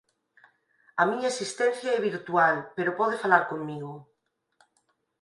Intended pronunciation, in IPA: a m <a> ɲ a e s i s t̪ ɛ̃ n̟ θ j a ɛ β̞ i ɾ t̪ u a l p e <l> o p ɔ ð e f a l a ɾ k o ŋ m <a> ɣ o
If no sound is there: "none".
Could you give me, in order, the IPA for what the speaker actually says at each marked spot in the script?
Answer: i, ɾ, i

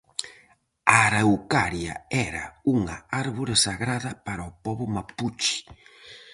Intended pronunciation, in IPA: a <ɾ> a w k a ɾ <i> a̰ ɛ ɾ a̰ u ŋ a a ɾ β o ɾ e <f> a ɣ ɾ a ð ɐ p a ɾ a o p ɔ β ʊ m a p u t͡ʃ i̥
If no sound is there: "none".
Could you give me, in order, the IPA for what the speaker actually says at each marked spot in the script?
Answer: ɾ, j, s

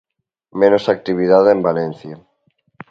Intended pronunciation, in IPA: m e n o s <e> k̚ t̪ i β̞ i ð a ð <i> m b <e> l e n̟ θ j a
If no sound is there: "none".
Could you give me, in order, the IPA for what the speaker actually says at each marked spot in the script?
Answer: a, e, a

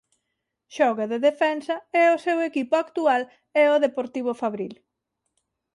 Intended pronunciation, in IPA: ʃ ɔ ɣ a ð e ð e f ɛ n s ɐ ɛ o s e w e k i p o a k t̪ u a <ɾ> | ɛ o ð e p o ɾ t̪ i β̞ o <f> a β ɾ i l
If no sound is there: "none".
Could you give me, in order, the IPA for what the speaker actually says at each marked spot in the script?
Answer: l, f

